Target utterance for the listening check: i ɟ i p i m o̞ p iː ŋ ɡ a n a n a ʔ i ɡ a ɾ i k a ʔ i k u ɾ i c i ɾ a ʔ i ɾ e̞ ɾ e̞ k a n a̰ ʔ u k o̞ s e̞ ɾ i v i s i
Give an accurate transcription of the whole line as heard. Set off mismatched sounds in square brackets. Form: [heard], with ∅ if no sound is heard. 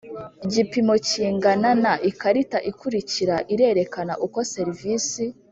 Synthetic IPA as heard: i ɟ i p i m o̞ [c] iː ŋ ɡ a n a n a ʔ i [k] a ɾ i [t] a ʔ i k u ɾ i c i ɾ a ʔ i ɾ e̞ ɾ e̞ k a n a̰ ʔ u k o̞ s e̞ ɾ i v i s i